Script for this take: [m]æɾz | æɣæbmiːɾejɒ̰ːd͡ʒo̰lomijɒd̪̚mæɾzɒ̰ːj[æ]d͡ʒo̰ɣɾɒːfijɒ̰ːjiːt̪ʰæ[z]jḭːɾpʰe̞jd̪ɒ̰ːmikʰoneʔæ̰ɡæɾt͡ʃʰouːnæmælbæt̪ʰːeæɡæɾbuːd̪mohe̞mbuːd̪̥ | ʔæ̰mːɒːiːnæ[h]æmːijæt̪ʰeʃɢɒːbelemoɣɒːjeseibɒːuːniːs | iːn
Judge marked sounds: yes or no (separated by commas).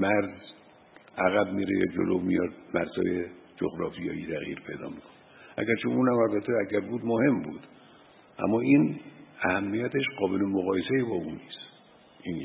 yes, no, no, yes